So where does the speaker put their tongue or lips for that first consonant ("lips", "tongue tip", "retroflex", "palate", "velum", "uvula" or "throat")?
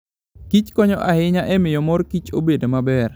velum